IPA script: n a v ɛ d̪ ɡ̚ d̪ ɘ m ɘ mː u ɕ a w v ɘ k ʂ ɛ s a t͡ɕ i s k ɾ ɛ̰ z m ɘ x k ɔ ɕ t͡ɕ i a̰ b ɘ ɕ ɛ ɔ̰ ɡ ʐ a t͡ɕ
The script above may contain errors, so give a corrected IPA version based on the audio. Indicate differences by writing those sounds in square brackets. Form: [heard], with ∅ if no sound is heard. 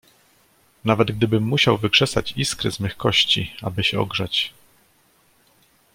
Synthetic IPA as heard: n a v ɛ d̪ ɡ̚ d̪ ɘ [b] ɘ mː u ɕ a w v ɘ k ʂ ɛ s a t͡ɕ i s k ɾ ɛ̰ z m ɘ x k ɔ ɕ t͡ɕ i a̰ b ɘ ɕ ɛ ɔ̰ ɡ ʐ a t͡ɕ